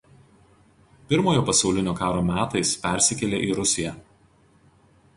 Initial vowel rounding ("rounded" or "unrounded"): unrounded